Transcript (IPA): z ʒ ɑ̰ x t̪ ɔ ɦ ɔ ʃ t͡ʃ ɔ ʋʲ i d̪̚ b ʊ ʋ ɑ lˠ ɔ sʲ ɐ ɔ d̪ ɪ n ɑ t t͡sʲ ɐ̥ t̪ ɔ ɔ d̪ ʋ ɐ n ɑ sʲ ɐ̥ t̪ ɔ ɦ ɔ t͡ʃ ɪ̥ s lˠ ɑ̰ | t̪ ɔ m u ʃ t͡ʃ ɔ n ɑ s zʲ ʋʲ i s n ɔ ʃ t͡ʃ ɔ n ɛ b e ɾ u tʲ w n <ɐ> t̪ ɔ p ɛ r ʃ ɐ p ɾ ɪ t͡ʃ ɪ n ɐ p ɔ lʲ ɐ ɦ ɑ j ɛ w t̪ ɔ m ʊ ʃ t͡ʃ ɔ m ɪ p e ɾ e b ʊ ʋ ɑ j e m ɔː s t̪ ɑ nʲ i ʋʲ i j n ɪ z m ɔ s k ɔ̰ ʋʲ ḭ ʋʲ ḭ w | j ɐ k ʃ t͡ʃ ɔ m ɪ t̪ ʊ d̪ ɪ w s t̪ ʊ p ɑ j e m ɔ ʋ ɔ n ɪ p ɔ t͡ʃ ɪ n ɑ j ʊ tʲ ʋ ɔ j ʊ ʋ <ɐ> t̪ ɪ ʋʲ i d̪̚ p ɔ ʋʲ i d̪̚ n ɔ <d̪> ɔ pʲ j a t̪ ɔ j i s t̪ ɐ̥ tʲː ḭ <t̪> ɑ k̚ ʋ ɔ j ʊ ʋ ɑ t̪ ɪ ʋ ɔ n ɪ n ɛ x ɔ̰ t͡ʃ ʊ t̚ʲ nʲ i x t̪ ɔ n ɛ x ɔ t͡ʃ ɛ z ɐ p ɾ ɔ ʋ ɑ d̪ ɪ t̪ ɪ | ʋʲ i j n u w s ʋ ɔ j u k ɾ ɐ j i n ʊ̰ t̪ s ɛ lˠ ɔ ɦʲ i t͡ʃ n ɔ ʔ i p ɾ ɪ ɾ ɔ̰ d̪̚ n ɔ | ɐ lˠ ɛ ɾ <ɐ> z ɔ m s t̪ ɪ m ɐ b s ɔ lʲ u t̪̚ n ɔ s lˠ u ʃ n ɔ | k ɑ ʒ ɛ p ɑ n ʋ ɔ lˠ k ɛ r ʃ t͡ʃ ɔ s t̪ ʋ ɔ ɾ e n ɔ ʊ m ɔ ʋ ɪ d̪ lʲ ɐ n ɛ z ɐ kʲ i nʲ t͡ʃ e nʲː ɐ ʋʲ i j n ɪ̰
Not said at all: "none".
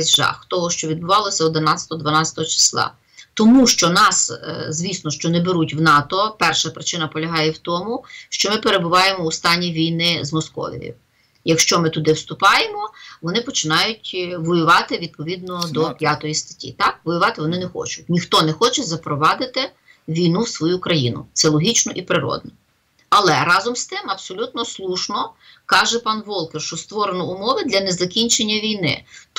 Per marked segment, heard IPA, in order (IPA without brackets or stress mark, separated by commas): ɑ, ɑ, d̪, t̪, ɑ